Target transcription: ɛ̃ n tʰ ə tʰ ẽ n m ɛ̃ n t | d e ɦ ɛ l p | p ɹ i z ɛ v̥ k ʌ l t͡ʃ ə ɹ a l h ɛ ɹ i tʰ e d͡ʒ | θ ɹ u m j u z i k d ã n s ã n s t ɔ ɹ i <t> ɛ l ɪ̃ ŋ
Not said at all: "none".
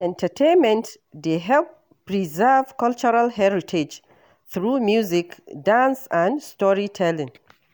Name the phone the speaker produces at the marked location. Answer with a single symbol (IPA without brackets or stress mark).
tʰ